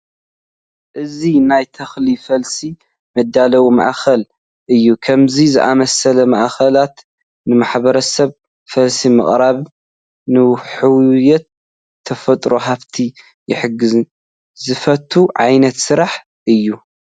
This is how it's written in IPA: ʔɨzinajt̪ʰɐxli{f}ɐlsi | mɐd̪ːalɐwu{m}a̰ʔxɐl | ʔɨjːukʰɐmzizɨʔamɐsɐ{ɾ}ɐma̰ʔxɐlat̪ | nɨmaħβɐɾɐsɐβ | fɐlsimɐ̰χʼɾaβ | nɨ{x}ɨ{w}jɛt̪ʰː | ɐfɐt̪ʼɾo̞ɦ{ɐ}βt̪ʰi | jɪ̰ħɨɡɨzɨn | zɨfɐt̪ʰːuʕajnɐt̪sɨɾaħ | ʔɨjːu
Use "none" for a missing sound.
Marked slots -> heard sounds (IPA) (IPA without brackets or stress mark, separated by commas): f, m, l, ħ, w, a